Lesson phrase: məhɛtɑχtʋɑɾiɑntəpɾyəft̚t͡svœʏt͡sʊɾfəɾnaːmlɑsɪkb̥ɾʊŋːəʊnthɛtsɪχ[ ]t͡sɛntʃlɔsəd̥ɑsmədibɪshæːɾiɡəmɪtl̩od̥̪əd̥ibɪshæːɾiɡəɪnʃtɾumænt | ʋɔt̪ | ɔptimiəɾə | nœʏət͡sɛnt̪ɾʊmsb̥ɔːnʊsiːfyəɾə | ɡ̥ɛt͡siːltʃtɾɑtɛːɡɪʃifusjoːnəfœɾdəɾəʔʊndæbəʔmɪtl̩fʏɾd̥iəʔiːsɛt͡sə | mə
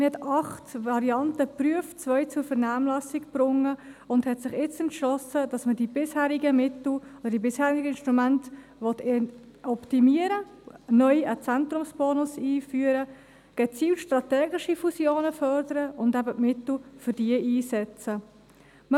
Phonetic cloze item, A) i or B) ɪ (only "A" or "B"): B